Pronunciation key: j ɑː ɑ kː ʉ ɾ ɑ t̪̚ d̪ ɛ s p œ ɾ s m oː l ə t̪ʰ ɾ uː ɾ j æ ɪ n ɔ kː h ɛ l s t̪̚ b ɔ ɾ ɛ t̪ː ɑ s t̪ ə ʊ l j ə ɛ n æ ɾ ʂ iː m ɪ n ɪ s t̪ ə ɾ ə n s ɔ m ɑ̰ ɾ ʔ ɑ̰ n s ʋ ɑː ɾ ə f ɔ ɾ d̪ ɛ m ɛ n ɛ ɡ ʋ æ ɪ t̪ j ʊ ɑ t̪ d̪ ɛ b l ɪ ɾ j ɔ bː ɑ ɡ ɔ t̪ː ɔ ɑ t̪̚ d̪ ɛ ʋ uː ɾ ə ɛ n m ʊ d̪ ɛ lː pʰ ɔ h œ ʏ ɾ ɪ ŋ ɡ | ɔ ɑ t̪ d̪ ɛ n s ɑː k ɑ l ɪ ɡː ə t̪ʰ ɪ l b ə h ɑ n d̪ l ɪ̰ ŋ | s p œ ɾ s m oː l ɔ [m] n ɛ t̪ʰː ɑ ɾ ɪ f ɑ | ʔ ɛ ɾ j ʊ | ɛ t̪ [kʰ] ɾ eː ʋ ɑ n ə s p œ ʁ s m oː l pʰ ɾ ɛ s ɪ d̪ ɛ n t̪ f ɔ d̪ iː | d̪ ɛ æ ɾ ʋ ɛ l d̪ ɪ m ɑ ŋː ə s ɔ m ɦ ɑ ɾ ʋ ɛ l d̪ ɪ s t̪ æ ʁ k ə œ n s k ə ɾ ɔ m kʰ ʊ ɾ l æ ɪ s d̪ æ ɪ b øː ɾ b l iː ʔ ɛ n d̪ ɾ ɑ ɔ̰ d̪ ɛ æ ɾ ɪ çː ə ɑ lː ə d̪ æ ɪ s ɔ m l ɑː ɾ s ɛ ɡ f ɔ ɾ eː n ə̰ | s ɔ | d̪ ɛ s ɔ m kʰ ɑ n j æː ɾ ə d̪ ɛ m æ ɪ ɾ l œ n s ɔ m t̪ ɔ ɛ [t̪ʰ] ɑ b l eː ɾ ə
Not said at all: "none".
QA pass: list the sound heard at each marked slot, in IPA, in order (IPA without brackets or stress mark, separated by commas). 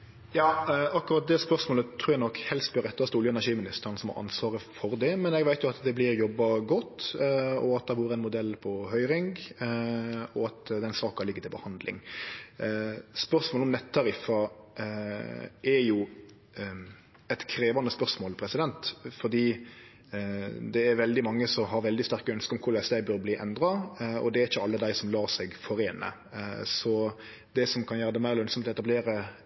m, kʰ, t̪